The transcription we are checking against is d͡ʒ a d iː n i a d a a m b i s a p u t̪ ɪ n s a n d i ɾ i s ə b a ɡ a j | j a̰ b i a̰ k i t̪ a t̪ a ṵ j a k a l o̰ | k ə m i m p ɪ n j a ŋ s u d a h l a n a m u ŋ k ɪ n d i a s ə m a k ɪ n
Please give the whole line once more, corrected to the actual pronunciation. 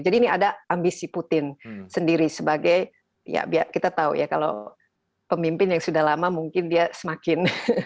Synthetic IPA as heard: d͡ʒ a d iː n i a d a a m b i s i p u t̪ ɪ n s ə n d i ɾ i s ə b a ɡ a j | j a̰ b i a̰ k i t̪ a t̪ a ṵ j a k a l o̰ | p ə m i m p ɪ n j a ŋ s u d a h l a m a m u ŋ k ɪ n d i a s ə m a k ɪ n